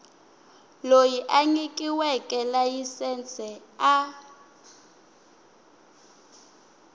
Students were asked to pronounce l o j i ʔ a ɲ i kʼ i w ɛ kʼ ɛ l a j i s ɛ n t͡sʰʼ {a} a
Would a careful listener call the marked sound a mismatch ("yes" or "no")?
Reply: yes